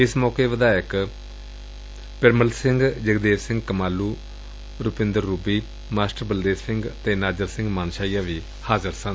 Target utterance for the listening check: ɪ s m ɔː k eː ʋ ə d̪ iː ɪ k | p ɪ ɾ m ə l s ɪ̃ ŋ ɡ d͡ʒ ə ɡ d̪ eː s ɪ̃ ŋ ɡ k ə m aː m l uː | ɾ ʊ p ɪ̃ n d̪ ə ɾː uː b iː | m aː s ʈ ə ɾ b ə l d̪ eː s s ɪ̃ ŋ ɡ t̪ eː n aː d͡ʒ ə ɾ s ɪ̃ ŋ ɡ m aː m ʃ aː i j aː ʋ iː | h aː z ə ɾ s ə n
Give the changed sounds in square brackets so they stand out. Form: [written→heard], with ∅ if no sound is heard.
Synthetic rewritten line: ɪ s m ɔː k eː ʋ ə d̪ [iː→aː] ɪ k | p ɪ ɾ m ə l s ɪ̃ ŋ ɡ d͡ʒ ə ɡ d̪ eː s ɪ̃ ŋ ɡ k ə m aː [m→∅] l uː | ɾ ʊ p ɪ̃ n d̪ ə ɾː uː b iː | m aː s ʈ ə ɾ b ə l d̪ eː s s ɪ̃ ŋ ɡ t̪ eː n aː d͡ʒ ə ɾ s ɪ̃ ŋ ɡ m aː [m→n] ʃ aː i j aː ʋ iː | h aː z ə ɾ s ə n

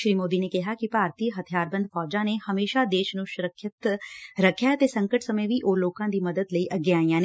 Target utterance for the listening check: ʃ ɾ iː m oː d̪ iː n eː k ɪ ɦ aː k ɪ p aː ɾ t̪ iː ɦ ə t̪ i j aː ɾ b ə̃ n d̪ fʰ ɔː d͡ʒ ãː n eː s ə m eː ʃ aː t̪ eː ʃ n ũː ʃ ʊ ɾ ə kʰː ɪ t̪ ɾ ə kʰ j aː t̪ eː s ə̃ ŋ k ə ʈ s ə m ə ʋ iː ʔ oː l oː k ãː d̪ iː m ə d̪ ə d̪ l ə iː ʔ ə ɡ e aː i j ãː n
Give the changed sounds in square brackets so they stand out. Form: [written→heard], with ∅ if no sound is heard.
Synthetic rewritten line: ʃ ɾ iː m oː d̪ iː n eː k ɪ ɦ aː k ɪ p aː ɾ t̪ iː ɦ ə [t̪→t̪ʰ] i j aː ɾ b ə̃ n d̪ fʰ ɔː d͡ʒ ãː n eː [s→h] ə m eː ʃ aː [t̪→d̪] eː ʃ n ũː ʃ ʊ ɾ ə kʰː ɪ t̪ ɾ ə kʰ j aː t̪ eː s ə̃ ŋ k ə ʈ s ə m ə ʋ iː ʔ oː l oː k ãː d̪ iː m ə d̪ ə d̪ l ə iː ʔ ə ɡ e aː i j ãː n

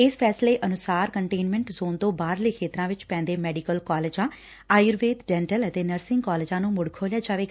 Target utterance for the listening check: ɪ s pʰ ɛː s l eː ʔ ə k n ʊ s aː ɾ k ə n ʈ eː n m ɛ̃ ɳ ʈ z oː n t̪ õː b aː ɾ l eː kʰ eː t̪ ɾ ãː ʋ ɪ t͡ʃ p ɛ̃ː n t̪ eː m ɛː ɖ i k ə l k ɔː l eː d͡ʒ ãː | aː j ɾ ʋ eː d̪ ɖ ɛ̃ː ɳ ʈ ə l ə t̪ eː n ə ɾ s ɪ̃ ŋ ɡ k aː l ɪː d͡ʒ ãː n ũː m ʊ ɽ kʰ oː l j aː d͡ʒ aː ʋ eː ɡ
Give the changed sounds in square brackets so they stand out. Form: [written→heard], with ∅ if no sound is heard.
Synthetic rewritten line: ɪ s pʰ ɛː s l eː ʔ ə [k→∅] n ʊ s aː ɾ k ə [n→ɳ] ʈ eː n m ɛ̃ ɳ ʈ z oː n t̪ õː b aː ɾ l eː kʰ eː t̪ ɾ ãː ʋ ɪ t͡ʃ p ɛ̃ː n [t̪→d̪] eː m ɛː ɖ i k ə l k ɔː l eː d͡ʒ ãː | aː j ɾ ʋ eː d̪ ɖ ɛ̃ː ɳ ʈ ə l ə t̪ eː n ə ɾ s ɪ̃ ŋ ɡ k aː l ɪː d͡ʒ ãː n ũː m ʊ ɽ kʰ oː l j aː d͡ʒ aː ʋ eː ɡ

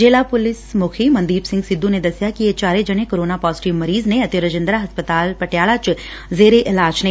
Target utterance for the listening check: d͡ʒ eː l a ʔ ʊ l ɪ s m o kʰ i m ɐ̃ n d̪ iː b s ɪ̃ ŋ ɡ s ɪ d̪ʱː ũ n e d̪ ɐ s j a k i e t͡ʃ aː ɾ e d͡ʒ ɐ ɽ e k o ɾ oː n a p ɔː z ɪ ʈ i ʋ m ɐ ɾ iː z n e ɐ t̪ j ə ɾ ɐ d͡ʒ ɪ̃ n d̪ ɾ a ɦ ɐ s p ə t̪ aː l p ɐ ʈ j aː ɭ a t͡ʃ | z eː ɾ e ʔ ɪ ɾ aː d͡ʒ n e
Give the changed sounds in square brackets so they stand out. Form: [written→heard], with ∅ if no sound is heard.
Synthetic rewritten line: d͡ʒ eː l a [ʔ→p] ʊ l ɪ s m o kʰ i m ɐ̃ n d̪ iː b s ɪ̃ ŋ ɡ s ɪ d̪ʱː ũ n e d̪ ɐ s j a k i e t͡ʃ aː ɾ e d͡ʒ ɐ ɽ e k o ɾ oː n a p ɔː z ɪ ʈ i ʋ m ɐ ɾ iː z n e ɐ t̪ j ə ɾ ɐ d͡ʒ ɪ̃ n d̪ ɾ a ɦ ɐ s p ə t̪ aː l p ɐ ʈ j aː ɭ a t͡ʃ | z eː ɾ e ʔ ɪ [ɾ→l] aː d͡ʒ n e

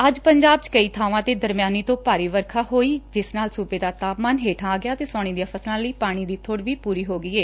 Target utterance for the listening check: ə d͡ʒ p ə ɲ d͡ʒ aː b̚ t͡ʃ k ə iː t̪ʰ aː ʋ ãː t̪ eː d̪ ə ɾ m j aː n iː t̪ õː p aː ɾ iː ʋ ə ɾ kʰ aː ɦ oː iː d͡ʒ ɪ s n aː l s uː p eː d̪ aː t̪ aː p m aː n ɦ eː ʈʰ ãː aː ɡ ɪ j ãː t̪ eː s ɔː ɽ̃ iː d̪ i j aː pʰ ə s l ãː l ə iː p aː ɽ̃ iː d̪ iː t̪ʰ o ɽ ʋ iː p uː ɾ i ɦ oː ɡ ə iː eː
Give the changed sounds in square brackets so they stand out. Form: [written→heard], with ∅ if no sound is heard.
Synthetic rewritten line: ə d͡ʒ p ə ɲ d͡ʒ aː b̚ t͡ʃ k ə iː t̪ʰ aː ʋ ãː t̪ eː d̪ ə ɾ m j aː n iː t̪ õː p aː ɾ iː ʋ ə ɾ kʰ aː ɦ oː iː d͡ʒ ɪ s n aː l s uː p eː d̪ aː t̪ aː p m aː n ɦ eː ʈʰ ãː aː ɡ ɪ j [ãː→aː] t̪ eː s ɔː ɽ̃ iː d̪ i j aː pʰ ə s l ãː l ə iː p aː ɽ̃ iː d̪ iː t̪ʰ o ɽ ʋ iː p uː ɾ [i→iː] ɦ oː ɡ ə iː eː

